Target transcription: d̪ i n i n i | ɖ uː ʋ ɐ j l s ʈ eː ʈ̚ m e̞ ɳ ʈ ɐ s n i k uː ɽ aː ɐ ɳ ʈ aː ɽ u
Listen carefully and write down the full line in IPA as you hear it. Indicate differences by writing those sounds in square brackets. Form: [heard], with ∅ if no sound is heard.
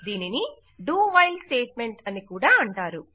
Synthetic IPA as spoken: d̪ [iː] n i n i | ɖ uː ʋ ɐ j l s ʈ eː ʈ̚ m e̞ ɳ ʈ ɐ [∅] n i k uː ɽ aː ɐ ɳ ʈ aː [ɾ] u